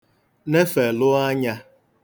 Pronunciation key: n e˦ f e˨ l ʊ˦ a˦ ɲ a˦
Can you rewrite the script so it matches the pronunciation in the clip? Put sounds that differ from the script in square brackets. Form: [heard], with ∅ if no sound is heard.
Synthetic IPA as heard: n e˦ f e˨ l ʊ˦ a˦ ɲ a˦